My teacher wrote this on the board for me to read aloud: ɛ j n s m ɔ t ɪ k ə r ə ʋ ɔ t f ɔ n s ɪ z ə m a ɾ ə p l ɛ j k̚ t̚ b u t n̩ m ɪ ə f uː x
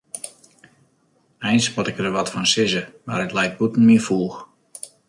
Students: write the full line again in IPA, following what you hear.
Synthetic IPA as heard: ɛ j n s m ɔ t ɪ k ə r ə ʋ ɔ t f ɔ n s ɪ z ə m a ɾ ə t l ɛ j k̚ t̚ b u t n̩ m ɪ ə f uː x